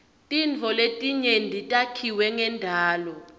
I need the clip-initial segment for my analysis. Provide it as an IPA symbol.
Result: tʼ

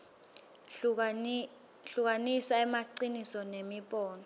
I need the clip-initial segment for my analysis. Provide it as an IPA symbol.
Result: ɬ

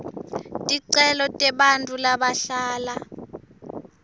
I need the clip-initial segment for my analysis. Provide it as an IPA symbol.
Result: tʼ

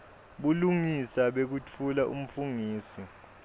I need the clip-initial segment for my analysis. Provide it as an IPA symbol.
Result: ɓ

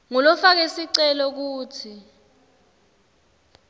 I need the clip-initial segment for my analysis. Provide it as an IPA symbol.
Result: ŋ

